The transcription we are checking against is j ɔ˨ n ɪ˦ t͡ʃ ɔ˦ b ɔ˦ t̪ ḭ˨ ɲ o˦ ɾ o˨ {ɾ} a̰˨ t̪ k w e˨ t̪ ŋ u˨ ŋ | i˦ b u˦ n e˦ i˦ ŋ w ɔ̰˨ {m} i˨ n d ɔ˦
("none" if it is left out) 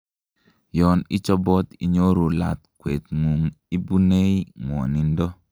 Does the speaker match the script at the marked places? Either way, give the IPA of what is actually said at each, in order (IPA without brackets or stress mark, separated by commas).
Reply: l, n